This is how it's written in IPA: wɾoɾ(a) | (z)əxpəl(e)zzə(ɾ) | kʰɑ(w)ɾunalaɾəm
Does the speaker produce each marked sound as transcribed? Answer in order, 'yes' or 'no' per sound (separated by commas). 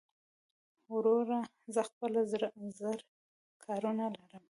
yes, yes, no, yes, no